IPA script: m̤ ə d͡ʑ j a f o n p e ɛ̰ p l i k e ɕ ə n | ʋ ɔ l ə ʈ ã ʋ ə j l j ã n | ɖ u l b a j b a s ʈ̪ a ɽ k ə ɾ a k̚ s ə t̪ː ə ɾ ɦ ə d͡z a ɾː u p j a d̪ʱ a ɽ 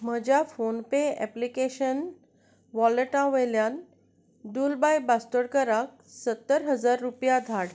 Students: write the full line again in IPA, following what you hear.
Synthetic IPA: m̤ ə d͡ʑ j a f o n p e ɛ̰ p l i k e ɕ ə n | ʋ ɔ l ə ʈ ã ʋ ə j l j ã n | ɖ u l b a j b a s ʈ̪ ə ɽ k ə ɾ a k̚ s ə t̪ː ə ɾ ɦ ə d͡z a ɾː u p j a d̪ʱ a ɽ